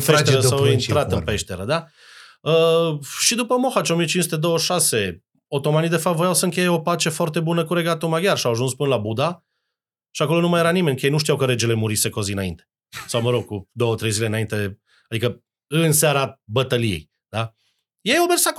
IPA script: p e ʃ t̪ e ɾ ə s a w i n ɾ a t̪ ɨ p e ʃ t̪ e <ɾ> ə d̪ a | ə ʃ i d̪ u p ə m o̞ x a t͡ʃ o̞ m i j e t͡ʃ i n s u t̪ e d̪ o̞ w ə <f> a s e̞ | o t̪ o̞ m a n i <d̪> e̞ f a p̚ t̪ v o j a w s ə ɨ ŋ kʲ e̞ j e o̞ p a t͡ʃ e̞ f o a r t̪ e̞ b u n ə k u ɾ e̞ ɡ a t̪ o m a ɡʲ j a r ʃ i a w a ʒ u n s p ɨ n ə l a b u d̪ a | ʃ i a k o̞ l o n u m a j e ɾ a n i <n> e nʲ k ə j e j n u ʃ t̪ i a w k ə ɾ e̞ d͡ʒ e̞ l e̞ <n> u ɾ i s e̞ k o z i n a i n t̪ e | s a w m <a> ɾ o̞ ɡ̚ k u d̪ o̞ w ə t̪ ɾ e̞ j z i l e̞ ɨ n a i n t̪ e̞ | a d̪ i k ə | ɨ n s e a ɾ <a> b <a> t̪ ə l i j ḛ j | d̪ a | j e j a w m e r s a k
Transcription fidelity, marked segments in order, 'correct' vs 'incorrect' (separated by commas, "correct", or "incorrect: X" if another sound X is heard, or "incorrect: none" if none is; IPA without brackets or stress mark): correct, incorrect: ʃ, correct, incorrect: m, incorrect: m, incorrect: ə, correct, incorrect: ə